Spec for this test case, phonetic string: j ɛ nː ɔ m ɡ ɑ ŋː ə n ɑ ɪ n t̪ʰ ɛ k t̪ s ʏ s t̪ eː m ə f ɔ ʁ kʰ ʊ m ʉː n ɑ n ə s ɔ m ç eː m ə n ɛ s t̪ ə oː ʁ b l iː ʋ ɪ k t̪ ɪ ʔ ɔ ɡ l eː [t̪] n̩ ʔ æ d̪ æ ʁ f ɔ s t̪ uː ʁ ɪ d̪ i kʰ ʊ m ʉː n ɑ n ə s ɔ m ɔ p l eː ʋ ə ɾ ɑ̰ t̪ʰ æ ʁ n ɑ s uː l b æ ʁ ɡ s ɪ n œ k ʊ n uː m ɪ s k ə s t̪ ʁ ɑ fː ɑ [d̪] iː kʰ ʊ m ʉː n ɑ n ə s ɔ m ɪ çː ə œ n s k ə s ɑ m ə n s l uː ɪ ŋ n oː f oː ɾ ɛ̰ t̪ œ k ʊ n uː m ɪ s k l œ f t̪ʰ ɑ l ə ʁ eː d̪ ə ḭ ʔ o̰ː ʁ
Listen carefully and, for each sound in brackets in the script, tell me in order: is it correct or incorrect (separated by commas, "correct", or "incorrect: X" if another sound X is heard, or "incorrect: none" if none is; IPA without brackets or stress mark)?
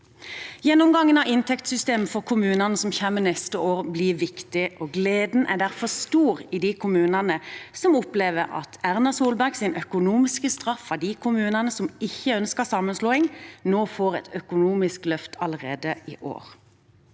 incorrect: d̪, correct